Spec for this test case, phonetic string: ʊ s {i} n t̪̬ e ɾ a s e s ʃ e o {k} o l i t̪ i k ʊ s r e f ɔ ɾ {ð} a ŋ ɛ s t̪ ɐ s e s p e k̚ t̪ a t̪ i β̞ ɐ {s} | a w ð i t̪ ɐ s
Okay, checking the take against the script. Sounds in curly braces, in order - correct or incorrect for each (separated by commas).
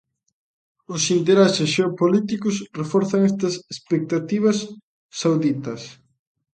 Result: correct, incorrect, incorrect, incorrect